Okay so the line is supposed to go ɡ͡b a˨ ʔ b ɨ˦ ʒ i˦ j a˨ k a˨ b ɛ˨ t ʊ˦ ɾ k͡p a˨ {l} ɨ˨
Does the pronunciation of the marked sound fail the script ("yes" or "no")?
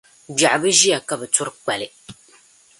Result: no